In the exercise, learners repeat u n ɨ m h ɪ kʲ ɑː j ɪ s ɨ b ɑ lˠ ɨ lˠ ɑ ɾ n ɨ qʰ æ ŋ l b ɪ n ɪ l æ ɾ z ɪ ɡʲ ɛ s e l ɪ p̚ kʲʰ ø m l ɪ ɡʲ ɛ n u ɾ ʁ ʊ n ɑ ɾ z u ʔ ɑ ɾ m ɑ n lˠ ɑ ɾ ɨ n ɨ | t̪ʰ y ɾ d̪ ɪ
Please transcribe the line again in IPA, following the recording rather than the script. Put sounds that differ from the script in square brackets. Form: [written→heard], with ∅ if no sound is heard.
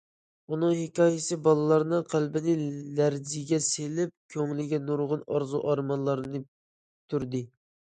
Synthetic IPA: u n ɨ [m→ŋ] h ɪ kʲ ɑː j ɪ s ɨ b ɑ lˠ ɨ lˠ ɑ ɾ n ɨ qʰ æ [ŋ→∅] l b ɪ n ɪ l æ ɾ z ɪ ɡʲ ɛ s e l ɪ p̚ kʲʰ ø [m→ŋ] l ɪ ɡʲ ɛ n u ɾ ʁ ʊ n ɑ ɾ z u ʔ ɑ ɾ m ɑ n lˠ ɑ ɾ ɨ n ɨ | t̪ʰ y ɾ d̪ ɪ